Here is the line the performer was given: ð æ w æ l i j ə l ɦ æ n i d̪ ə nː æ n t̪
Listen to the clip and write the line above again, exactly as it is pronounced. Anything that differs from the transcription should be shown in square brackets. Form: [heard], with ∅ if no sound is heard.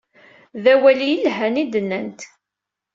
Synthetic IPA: ð æ w æ l i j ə l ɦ æ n i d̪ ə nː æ n t̪